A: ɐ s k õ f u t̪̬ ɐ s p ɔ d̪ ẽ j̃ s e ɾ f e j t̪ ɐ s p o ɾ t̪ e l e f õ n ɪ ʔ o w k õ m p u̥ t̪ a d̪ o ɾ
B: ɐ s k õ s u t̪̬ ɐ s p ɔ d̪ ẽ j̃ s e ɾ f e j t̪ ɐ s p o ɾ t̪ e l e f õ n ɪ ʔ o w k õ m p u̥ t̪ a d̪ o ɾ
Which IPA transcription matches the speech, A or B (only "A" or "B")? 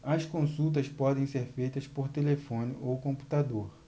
B